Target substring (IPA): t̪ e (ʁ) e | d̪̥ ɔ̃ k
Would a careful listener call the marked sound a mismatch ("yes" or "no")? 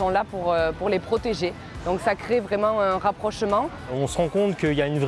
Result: yes